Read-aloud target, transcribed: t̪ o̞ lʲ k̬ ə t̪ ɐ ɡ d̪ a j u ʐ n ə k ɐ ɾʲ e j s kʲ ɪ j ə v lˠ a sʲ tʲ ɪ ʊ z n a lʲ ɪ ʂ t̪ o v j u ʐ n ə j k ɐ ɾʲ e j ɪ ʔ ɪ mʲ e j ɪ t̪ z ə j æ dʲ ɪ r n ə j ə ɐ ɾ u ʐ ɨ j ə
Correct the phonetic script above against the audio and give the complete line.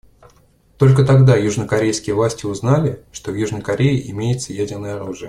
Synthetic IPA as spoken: t̪ o̞ lʲ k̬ ə t̪ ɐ ɡ d̪ a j u ʐ n ə k ɐ ɾʲ e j s kʲ ɪ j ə v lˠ a sʲ tʲ ɪ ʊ z n a lʲ ɪ ʂ t̪ o v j u ʐ n ə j k ɐ ɾʲ e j ɪ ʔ ɪ mʲ e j ɪ t̪ s ə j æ dʲ ɪ r n ə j ə ɐ ɾ u ʐ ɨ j ə